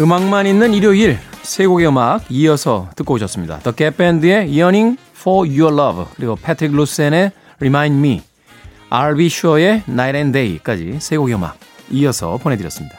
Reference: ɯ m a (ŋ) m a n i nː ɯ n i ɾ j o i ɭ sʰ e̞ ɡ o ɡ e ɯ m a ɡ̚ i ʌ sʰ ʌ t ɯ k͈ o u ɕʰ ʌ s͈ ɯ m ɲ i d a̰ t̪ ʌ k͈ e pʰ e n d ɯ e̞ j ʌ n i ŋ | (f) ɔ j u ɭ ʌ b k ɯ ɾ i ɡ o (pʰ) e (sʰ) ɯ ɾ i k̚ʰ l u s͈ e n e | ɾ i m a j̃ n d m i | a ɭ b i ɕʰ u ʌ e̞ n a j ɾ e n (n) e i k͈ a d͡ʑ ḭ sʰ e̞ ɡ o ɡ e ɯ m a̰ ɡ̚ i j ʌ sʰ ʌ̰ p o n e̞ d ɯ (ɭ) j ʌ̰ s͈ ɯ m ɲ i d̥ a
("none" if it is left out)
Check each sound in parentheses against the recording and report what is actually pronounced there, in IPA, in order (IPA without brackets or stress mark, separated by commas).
ŋ, f, pʰ, tʰ, d, ɾ